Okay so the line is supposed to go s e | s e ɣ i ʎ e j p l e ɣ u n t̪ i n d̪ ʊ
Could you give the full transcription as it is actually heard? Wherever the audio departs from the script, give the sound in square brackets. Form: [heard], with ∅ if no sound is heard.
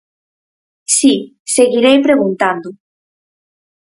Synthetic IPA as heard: s [i] | s e ɣ i [ɾ] e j p [ɾ] e ɣ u n t̪ [a] n d̪ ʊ